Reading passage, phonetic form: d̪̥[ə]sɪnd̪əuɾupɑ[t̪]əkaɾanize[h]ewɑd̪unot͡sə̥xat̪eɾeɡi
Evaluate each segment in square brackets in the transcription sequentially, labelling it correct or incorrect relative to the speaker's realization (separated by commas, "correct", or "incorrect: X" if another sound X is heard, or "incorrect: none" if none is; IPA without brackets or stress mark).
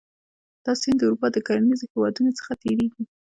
incorrect: ɑ, incorrect: d̪, correct